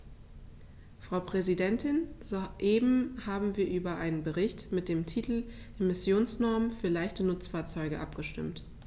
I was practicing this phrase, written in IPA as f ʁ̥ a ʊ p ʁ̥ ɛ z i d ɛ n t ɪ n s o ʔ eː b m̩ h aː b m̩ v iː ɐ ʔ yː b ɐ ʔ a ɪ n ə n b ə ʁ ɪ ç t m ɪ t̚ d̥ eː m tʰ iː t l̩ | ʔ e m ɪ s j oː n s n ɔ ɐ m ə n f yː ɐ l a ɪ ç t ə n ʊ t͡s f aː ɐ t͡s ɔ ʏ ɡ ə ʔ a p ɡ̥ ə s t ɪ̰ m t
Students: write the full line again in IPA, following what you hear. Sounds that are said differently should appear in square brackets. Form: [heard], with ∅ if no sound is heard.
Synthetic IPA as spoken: f ʁ̥ a ʊ p ʁ̥ ɛ z i d ɛ n t ɪ n [z] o ʔ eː b m̩ h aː b m̩ v iː ɐ ʔ yː b ɐ ʔ a ɪ n ə n b ə ʁ ɪ ç t m ɪ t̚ d̥ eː m tʰ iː t l̩ | ʔ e m ɪ s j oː n s n ɔ ɐ m ə n f yː ɐ l a ɪ ç t ə n ʊ t͡s f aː ɐ t͡s ɔ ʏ ɡ ə ʔ a p ɡ̥ ə [ʃ] t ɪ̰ m t